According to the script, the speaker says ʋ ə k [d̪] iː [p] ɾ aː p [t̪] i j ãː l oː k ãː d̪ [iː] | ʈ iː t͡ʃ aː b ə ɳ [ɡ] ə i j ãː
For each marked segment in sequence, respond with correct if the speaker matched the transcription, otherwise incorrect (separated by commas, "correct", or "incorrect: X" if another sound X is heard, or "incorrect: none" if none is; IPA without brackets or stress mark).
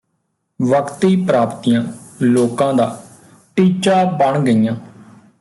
incorrect: t̪, correct, correct, incorrect: aː, correct